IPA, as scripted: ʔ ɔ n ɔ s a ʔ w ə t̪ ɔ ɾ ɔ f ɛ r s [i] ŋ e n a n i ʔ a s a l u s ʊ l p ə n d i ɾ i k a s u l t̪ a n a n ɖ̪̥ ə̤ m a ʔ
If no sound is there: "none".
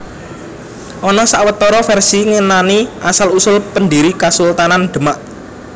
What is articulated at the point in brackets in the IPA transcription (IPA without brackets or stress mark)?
i